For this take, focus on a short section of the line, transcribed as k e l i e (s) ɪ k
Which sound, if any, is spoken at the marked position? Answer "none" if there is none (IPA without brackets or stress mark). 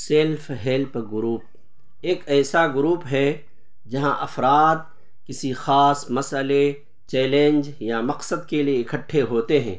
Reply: none